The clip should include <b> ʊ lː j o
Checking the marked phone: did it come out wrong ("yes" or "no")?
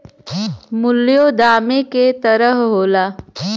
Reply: yes